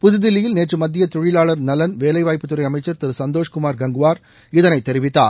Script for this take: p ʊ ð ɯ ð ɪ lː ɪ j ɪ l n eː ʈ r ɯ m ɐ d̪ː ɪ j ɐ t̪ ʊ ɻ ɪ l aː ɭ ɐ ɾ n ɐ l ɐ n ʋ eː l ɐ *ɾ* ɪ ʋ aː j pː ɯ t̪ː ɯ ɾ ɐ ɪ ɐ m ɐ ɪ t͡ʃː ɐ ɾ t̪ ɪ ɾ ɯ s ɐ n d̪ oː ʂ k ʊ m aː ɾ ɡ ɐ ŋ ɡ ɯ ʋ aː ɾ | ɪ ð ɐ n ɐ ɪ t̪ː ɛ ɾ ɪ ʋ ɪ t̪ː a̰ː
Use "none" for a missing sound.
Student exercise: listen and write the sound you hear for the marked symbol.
none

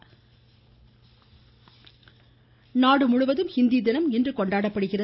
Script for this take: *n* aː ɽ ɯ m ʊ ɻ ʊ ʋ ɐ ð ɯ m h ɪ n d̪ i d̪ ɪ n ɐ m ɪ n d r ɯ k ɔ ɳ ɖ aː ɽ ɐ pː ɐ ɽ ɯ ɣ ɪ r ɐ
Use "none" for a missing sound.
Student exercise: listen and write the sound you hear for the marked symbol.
n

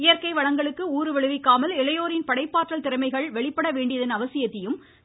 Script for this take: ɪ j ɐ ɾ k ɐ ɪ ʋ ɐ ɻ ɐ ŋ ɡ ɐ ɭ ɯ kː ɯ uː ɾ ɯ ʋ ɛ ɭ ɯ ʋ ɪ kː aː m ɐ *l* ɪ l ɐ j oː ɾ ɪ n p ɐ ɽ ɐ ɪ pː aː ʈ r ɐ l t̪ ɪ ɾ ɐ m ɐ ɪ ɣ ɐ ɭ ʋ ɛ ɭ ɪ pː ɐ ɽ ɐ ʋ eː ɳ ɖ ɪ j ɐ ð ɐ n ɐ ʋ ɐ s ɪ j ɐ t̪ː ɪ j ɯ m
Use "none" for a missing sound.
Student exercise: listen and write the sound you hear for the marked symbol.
l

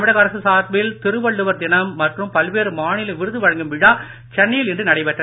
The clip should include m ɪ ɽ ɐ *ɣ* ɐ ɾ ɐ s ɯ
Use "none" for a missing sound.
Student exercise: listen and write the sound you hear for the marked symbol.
ɣ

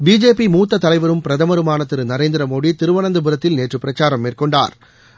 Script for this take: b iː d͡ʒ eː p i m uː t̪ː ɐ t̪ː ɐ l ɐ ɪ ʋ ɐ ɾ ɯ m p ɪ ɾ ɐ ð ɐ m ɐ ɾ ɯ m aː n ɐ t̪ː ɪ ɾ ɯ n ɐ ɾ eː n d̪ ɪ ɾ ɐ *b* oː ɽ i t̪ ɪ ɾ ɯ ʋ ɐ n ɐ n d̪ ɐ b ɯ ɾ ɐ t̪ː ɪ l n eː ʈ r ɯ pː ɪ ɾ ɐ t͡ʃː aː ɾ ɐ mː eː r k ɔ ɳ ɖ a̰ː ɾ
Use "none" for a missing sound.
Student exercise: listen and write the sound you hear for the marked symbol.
m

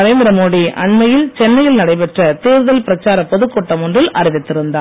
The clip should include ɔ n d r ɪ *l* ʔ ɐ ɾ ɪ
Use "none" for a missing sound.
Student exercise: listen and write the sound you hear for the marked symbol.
l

